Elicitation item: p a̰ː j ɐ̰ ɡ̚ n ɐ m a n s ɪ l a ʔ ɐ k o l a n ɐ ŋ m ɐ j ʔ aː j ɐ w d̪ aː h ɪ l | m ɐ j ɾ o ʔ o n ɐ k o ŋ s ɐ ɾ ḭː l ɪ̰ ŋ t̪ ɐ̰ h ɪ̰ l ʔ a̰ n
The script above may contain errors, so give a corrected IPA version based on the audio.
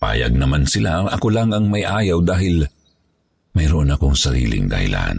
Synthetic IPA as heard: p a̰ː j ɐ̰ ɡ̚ n ɐ m a n s ɪ l a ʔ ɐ k o l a ŋ ɐ ŋ m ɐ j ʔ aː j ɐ w d̪ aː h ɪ l | m ɐ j ɾ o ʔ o n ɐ k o ŋ s ɐ ɾ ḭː l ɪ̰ ŋ d̪ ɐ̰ h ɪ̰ l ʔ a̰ n